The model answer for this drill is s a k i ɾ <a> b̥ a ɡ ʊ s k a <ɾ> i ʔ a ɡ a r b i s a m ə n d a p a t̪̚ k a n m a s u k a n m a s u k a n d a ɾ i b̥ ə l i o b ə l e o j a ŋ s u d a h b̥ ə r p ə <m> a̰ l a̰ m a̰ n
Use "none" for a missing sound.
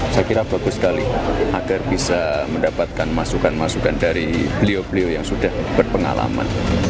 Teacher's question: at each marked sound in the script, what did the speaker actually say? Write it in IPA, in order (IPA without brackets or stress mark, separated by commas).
a, l, ŋ